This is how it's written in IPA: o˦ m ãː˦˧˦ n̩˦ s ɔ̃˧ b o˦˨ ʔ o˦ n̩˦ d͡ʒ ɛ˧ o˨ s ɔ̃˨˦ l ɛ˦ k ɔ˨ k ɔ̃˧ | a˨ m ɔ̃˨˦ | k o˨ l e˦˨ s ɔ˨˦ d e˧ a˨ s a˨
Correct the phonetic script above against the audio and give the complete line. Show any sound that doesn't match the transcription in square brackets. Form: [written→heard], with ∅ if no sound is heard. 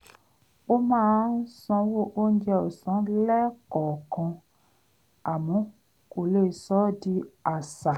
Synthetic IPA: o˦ m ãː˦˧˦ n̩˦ s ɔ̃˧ [b→w] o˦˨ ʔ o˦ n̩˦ d͡ʒ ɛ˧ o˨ s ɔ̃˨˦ l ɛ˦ k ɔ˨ k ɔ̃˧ | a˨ m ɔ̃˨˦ | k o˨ l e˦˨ s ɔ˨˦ d [e˧→i˧] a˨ s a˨